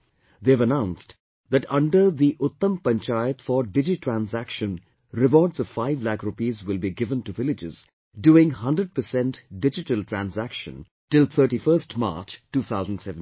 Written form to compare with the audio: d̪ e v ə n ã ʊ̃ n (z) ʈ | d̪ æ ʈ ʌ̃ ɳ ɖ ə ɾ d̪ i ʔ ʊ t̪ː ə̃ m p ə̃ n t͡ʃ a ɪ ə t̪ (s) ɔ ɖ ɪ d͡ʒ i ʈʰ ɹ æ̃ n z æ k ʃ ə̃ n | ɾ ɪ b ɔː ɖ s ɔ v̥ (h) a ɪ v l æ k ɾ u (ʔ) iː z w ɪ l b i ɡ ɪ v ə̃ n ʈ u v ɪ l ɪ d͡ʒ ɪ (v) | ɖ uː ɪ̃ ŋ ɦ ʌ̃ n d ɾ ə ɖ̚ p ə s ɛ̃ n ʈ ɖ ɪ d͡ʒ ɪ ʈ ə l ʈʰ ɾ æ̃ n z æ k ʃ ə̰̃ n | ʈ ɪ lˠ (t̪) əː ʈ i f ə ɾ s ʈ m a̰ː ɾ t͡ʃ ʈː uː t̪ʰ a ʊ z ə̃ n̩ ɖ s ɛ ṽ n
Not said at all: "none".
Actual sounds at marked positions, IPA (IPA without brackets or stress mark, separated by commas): s, f, f, p, z, t̪ʰ